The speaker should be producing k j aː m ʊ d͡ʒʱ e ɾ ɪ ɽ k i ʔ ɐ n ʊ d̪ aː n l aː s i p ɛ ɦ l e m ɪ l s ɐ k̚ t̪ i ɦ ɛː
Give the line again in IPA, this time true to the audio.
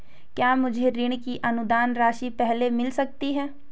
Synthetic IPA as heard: k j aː m ʊ d͡ʒʱ e ɾ ɪ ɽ k i ʔ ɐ n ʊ d̪ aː n ɾ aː ʃ i p ɛ ɦ l e m ɪ l s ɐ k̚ t̪ i ɦ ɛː